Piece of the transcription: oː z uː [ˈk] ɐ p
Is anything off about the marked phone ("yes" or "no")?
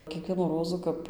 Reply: no